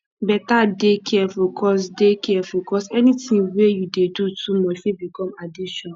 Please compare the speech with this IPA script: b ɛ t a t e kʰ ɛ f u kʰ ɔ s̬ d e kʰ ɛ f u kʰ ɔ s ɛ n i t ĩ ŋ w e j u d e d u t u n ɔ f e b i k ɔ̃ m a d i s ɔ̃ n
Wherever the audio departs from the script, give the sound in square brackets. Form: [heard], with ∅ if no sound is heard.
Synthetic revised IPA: b ɛ t a [d] e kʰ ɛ f u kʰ ɔ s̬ d e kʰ ɛ f u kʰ ɔ s ɛ n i t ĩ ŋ w e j u d e d u t u [m] ɔ f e b i k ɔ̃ m a d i [ʃ] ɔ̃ n